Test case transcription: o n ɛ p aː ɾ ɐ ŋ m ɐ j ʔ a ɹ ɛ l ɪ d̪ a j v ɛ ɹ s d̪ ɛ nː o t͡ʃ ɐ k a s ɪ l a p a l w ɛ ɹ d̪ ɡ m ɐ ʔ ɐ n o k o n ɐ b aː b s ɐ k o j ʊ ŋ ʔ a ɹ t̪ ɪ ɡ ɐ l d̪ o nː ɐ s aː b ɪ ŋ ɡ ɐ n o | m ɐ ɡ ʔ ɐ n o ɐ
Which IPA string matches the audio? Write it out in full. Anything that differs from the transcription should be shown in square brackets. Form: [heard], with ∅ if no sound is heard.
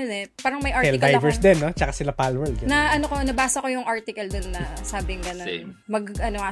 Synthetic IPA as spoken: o n ɛ p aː ɾ ɐ ŋ m ɐ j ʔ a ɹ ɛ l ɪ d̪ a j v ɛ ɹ s d̪ ɛ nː o t͡ʃ ɐ k a s ɪ l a p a l w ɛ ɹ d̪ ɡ [n] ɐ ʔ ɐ n o k o n ɐ b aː [∅] s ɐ k o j ʊ ŋ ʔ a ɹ t̪ ɪ [k] ɐ l d̪ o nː ɐ s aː b ɪ ŋ ɡ ɐ n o | m ɐ ɡ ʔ ɐ n o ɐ